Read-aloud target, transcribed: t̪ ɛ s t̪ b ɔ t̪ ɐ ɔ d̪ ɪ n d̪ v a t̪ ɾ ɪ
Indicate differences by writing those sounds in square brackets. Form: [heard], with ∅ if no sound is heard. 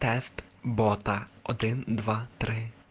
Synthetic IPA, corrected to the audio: t̪ ɛ s t̪ b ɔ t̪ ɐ ɔ d̪ ɪ n d̪ [ʋ] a t̪ ɾ ɪ